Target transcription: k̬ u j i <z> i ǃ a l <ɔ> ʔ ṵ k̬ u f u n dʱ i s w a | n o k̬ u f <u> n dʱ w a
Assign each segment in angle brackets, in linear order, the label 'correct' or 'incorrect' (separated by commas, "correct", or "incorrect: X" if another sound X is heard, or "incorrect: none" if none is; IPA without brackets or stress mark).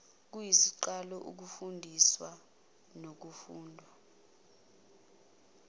incorrect: s, correct, incorrect: uː